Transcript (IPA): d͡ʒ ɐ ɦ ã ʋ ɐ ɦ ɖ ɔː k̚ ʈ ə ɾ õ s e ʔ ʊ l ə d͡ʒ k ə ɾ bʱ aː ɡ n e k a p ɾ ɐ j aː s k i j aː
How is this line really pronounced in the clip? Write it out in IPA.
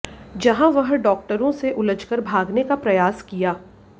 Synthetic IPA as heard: d͡ʒ ɐ ɦ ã ʋ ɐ ɦ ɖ ɔː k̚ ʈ ə ɾ õ s e ʔ ʊ l ə d͡ʒ k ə ɾ bʱ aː ɡ n e k a p ɾ ɐ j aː s k i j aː